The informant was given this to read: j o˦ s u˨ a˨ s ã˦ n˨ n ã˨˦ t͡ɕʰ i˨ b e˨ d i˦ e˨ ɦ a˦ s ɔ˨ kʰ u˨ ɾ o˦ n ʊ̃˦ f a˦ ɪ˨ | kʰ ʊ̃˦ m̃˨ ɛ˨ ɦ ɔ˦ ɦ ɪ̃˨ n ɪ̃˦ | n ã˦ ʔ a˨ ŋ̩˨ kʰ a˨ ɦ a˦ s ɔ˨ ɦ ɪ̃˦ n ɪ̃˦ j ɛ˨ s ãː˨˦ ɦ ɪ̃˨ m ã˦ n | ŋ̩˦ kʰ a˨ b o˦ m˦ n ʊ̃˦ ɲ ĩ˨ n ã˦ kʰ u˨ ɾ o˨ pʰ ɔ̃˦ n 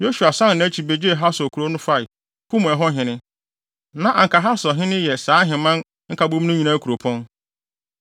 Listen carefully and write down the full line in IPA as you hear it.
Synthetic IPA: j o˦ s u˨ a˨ s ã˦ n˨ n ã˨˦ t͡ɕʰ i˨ b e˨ d͡ʑ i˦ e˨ ɦ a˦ s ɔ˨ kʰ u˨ ɾ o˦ n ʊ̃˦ f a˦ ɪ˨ | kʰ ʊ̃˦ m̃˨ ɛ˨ ɦ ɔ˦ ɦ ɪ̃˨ n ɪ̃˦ | n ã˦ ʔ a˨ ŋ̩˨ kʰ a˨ ɦ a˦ s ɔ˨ ɦ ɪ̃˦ n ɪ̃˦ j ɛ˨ s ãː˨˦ ɦ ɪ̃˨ m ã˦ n | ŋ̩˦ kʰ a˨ b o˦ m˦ n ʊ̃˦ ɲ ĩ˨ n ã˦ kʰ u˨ ɾ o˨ pʰ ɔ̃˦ n